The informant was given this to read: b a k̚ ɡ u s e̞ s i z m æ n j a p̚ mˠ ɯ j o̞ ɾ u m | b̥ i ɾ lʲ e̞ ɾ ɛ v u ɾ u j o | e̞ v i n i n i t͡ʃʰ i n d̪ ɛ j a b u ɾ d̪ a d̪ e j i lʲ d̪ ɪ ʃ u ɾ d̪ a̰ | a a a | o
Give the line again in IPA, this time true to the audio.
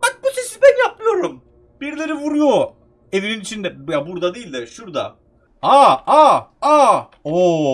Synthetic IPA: b a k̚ b u s e̞ s i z b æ n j a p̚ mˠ ɯ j o̞ ɾ u m | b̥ i ɾ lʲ e̞ ɾ i v u ɾ u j o | e̞ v i n i n i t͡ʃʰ i n d̪ ɛ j a b u ɾ d̪ a d̪ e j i lʲ d̪ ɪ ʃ u ɾ d̪ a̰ | a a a | o